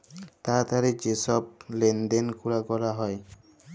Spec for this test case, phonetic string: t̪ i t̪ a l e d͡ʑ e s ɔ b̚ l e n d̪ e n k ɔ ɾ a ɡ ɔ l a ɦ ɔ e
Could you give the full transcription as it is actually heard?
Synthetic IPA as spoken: t̪ a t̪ a ɾ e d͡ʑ e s ɔ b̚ l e n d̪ e n k u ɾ a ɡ ɔ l a ɦ ɔ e